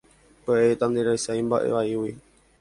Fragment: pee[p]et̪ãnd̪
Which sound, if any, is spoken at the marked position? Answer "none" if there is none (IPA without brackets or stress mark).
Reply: none